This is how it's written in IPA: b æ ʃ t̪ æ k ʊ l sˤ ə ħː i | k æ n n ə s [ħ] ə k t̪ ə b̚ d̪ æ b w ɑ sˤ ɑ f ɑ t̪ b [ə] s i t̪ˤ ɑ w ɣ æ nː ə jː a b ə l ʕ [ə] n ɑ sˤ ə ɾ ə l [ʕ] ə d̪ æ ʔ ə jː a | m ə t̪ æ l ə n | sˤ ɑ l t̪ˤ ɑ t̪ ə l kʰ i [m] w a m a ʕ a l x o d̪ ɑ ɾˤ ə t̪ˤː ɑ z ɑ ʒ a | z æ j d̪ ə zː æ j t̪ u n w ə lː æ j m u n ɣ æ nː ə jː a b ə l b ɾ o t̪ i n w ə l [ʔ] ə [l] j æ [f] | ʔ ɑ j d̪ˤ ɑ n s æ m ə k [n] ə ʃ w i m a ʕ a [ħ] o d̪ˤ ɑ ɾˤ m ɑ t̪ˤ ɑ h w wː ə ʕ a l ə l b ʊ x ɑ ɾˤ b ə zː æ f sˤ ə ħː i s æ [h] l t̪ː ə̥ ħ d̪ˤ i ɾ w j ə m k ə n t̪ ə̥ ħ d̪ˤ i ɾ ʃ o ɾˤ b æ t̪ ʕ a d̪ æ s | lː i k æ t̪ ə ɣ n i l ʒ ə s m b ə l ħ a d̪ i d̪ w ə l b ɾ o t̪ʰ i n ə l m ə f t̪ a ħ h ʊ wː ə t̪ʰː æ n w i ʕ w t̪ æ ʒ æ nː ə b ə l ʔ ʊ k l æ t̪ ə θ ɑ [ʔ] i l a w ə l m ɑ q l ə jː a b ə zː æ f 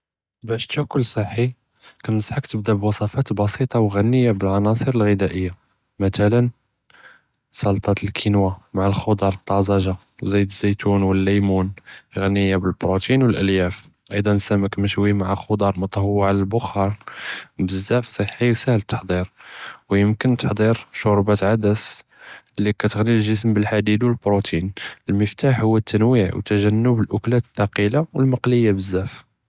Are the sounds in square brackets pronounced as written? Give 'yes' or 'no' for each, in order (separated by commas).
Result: yes, no, no, no, no, yes, yes, yes, no, no, yes, no